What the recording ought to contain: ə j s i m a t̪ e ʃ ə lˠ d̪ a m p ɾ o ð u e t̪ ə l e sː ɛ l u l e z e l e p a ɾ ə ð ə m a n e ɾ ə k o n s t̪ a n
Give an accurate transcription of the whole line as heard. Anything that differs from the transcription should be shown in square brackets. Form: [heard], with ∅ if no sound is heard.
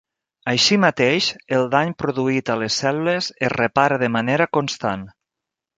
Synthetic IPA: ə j [ʃ] i m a t̪ e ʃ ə lˠ d̪ a [ɲ] p ɾ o ð u [i] t̪ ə l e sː ɛ l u l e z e [r] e p a ɾ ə ð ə m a n e ɾ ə k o n s t̪ a n